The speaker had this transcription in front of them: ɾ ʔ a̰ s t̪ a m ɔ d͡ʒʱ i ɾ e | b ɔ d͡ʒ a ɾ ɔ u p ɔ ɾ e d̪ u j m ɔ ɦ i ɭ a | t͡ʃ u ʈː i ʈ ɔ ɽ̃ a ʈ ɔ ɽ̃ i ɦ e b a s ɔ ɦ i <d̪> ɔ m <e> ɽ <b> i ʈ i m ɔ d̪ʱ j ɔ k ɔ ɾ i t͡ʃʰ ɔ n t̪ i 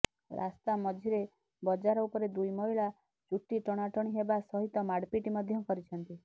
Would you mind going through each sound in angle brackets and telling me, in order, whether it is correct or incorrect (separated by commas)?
incorrect, incorrect, incorrect